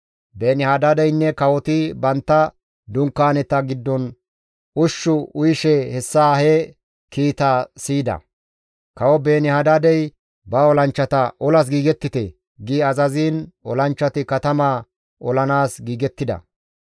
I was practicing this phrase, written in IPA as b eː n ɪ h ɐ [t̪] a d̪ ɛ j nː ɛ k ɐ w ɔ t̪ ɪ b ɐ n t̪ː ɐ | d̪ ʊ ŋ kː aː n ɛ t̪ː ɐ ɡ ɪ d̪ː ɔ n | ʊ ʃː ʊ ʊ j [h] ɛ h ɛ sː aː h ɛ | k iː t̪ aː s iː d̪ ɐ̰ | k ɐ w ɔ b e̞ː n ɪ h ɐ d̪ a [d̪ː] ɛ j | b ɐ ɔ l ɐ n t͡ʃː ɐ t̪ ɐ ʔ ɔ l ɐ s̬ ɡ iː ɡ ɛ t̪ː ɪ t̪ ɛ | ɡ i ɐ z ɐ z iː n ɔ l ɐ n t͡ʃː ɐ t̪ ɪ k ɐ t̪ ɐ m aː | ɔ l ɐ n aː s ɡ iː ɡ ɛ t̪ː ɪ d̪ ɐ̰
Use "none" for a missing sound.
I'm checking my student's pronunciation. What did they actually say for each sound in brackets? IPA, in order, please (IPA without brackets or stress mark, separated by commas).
d̪, ʃ, d̪